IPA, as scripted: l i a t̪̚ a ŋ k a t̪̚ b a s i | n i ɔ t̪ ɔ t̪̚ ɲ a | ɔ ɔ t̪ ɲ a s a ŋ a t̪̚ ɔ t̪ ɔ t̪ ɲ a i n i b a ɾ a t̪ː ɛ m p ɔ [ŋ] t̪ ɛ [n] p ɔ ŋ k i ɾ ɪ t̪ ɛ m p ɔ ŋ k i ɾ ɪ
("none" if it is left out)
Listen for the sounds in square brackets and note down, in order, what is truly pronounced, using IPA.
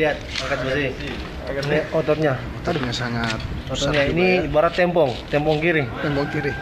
ŋ, m

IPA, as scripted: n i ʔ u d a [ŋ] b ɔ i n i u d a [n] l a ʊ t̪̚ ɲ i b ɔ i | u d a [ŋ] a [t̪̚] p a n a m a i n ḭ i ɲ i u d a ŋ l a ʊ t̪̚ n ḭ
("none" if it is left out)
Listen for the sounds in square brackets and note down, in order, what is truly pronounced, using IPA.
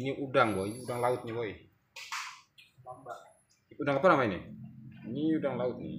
ŋ, ŋ, ŋ, none

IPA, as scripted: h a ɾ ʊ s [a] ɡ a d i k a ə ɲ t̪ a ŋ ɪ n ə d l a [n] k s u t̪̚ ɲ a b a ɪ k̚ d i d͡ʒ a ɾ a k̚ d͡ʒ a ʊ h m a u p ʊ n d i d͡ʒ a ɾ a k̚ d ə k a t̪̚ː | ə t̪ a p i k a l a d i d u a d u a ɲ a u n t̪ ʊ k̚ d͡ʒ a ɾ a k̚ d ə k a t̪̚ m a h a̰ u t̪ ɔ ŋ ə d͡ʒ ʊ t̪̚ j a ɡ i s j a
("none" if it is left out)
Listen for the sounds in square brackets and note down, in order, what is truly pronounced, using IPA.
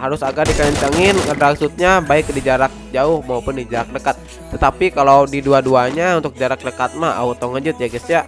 a, none

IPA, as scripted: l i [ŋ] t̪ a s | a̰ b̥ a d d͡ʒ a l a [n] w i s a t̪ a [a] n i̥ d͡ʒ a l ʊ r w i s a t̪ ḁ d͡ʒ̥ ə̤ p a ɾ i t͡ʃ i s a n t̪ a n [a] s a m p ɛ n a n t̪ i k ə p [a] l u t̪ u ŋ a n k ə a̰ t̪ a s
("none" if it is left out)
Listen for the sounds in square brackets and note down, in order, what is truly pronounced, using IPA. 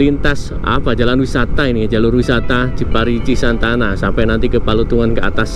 n, n, i, a, a

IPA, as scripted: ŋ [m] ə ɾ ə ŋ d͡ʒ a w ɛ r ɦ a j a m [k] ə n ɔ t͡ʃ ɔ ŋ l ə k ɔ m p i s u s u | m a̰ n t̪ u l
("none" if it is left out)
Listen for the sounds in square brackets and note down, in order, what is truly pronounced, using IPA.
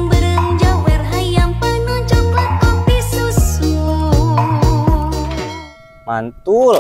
b, p

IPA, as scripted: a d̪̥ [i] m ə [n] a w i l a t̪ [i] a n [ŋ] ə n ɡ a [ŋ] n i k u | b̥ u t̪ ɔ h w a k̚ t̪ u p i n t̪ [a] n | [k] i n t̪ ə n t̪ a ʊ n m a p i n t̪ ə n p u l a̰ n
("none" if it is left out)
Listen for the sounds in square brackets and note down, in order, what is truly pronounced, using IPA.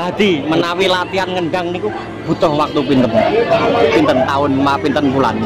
i, n, i, ŋ, ŋ, ə, p

